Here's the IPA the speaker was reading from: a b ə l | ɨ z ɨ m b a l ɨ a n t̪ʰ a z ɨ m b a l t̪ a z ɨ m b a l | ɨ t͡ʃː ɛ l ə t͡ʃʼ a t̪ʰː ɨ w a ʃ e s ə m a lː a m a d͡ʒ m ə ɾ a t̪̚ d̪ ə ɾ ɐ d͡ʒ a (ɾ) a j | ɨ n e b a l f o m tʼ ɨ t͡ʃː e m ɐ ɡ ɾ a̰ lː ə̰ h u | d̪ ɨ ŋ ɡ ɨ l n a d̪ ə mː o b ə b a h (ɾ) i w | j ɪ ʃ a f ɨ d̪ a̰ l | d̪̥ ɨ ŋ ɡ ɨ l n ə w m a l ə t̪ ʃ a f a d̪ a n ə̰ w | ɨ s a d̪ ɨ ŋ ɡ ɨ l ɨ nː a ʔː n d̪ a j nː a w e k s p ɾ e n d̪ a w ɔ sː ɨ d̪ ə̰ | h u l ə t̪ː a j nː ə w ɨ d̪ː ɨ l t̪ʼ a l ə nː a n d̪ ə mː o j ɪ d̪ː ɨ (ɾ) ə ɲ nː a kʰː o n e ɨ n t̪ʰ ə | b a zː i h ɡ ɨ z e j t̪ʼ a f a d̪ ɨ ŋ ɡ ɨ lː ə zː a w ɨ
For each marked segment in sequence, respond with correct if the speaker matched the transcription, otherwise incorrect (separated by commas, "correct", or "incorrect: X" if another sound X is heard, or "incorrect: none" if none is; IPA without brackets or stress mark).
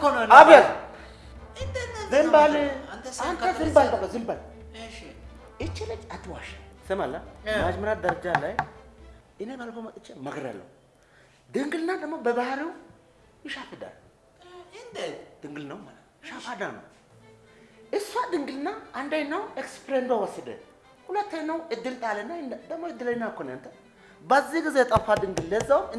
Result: incorrect: l, correct, incorrect: l